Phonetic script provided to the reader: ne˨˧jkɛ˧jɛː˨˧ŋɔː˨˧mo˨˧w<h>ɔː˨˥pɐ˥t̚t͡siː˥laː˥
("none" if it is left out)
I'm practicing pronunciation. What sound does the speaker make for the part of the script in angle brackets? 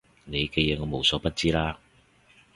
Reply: s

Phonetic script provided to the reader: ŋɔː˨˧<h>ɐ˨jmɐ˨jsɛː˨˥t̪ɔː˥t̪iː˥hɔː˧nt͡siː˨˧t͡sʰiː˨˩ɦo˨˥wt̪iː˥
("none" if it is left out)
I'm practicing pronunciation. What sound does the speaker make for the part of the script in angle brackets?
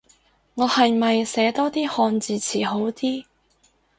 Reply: h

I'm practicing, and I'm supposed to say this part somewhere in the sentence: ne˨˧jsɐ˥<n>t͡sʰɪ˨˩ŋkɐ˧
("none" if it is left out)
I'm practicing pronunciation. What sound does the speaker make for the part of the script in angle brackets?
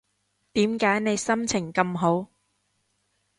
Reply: m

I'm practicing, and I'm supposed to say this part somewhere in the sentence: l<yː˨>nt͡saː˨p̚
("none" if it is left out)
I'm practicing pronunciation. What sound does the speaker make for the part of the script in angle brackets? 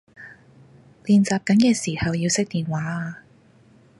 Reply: iː˨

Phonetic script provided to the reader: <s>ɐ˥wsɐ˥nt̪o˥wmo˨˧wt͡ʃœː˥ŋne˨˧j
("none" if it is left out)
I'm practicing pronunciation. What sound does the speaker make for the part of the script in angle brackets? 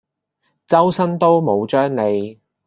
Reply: t͡s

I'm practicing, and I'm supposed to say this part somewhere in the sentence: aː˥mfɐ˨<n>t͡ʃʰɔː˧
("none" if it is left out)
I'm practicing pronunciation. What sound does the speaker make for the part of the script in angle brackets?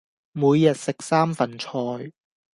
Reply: n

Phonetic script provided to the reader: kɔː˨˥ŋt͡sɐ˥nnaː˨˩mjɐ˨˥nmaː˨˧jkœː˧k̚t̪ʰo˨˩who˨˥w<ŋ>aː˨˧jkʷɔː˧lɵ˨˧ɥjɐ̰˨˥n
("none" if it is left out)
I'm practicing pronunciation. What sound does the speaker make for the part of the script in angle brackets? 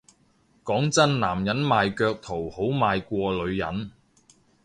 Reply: m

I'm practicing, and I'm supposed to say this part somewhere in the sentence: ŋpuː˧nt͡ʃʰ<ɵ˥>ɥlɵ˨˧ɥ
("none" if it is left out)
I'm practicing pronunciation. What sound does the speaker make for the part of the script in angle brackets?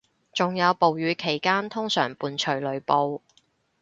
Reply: ɵ˨˩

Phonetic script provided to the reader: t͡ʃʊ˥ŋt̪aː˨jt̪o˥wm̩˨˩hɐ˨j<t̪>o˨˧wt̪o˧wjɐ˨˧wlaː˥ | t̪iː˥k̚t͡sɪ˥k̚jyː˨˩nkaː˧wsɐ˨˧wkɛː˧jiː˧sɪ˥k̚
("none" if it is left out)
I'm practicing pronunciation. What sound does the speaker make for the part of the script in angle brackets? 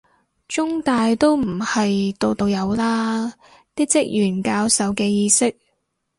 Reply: t̪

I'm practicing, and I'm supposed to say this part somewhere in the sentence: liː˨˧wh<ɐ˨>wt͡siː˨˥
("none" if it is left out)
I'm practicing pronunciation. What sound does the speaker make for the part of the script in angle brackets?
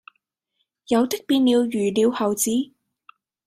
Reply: ɐ˨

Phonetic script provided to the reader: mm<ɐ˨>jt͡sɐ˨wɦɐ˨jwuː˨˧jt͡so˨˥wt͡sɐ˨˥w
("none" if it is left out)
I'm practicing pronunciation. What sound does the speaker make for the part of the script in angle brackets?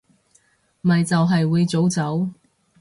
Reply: ɐ˨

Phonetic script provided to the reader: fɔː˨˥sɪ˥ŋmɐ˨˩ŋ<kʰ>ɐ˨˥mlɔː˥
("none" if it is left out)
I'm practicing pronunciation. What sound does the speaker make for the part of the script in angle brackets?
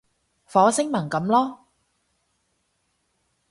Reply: k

